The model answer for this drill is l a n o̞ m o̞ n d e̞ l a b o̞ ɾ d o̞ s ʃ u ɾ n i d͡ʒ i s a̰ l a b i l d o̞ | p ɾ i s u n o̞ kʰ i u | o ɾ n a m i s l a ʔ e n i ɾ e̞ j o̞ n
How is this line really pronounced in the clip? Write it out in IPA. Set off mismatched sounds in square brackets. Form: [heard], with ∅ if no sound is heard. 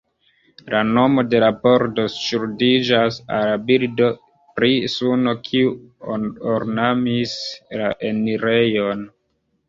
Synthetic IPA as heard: l a n o̞ m o̞ [∅] d e̞ l a b o̞ ɾ d o̞ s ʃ u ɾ [d] i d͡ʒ [a] s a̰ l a b i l d o̞ | p ɾ i s u n o̞ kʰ i u | o ɾ n a m i s l a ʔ e n i ɾ e̞ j o̞ n